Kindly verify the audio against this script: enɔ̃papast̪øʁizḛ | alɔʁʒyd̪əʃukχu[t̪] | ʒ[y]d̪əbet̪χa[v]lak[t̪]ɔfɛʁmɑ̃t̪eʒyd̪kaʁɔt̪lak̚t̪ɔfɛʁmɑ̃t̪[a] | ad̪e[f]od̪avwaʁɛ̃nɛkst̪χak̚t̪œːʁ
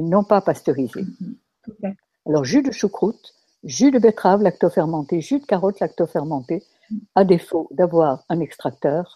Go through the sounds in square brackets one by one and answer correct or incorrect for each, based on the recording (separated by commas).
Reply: correct, correct, correct, correct, incorrect, correct